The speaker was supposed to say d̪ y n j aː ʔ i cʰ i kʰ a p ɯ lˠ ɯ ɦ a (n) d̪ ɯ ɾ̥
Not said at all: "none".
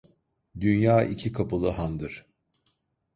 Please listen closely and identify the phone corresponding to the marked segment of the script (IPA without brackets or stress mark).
n